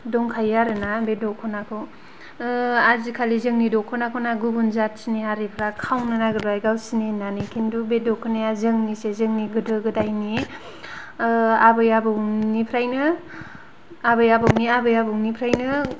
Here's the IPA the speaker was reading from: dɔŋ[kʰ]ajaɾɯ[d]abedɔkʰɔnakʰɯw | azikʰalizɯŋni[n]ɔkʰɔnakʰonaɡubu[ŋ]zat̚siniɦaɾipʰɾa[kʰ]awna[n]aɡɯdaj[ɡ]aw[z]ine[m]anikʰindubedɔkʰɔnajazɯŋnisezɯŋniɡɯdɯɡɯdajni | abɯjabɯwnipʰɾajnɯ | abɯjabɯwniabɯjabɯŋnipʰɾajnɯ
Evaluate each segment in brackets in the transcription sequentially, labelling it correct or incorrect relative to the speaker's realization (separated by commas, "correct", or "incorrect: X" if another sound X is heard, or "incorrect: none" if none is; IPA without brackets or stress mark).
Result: correct, incorrect: n, incorrect: d, incorrect: n, correct, correct, correct, incorrect: s, incorrect: n